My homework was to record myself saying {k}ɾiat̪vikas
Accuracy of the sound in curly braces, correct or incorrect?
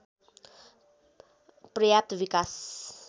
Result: incorrect